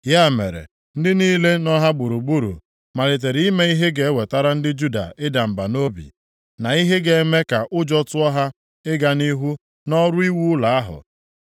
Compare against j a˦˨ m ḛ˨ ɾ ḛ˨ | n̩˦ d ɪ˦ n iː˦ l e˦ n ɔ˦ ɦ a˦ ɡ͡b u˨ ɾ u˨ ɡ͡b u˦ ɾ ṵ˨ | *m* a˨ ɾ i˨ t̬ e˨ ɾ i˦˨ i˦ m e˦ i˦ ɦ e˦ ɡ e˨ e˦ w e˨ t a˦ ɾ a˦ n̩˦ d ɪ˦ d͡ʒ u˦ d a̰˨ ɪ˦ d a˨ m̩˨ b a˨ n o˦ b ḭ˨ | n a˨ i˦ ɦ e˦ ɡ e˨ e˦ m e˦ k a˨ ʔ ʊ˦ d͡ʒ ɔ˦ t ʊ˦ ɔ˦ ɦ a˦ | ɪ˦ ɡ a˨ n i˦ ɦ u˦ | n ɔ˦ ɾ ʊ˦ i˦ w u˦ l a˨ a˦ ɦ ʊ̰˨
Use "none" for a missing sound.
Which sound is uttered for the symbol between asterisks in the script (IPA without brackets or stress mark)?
m